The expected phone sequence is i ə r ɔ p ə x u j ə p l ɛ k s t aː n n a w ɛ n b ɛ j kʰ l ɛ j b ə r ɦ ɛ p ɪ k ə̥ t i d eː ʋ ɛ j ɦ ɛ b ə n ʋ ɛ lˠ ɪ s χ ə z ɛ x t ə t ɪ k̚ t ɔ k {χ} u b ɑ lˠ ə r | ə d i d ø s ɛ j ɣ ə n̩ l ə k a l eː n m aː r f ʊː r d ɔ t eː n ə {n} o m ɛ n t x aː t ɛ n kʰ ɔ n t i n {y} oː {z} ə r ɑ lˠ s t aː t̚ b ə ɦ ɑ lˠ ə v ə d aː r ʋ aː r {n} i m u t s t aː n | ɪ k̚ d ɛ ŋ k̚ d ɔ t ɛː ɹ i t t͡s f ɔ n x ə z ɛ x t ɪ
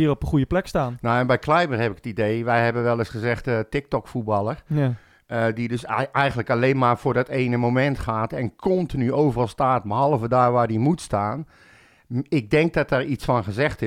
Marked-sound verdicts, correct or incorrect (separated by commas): incorrect, incorrect, correct, incorrect, incorrect